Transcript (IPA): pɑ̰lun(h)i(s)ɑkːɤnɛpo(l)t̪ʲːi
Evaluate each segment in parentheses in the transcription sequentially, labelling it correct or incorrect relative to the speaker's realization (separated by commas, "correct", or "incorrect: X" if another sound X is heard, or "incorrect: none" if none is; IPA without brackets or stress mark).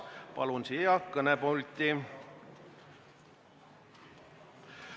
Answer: incorrect: s, incorrect: none, correct